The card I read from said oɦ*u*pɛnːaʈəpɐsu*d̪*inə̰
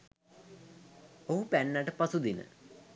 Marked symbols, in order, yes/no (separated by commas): yes, yes